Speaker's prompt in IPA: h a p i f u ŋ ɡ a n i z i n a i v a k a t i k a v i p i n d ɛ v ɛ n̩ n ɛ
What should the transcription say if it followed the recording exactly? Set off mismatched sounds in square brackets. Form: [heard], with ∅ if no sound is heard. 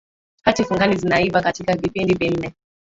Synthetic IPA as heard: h a [t] i f u ŋ ɡ a n i z i n a i v a k a t i k a v i p i n d [i] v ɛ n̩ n ɛ